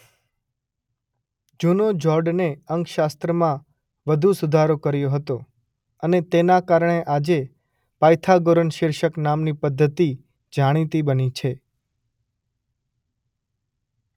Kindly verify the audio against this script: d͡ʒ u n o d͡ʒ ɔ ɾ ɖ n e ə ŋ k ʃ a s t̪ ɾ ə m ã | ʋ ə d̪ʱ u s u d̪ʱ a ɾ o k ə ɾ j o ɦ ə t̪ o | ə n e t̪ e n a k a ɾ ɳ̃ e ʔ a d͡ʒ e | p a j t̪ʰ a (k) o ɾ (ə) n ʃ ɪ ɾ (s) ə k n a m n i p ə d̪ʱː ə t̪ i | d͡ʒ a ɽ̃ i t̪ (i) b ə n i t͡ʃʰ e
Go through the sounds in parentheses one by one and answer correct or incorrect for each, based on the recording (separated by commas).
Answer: incorrect, correct, incorrect, correct